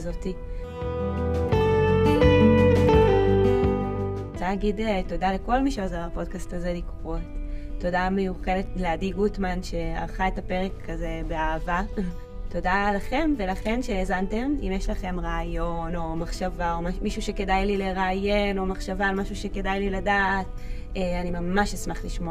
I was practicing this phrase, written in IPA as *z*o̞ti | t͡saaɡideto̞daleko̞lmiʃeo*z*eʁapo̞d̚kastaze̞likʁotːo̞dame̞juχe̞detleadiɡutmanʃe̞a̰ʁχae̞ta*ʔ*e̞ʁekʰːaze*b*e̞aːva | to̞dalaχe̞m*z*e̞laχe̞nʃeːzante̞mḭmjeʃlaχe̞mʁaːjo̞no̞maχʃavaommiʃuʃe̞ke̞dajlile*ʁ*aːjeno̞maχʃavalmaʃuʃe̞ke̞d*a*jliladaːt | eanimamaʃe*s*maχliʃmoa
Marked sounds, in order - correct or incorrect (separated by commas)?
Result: correct, correct, incorrect, correct, incorrect, correct, correct, correct